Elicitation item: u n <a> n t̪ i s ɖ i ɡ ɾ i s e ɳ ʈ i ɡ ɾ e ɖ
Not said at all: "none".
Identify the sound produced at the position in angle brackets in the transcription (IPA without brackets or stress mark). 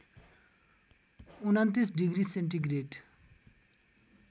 a